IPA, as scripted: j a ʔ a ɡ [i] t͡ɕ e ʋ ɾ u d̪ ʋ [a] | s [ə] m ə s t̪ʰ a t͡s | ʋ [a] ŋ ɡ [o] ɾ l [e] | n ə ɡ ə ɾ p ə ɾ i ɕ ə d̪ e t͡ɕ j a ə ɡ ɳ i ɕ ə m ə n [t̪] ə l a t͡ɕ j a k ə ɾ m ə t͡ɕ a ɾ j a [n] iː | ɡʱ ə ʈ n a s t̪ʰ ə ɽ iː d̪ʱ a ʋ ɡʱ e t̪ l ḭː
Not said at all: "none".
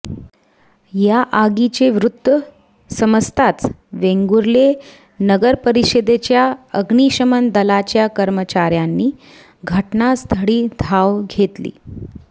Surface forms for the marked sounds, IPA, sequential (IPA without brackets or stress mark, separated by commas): i, ə, ə, e, u, e, d̪, nː